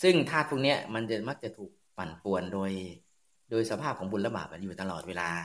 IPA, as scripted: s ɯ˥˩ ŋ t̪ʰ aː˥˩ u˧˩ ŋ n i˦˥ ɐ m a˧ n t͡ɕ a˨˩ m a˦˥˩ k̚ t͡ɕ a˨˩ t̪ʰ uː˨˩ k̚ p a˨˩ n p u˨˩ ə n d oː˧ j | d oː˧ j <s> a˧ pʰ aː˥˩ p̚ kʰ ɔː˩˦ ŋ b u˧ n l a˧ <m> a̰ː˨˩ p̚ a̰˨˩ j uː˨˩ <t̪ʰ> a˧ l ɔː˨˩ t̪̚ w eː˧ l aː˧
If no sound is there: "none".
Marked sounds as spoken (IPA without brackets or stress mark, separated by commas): s, b, t̪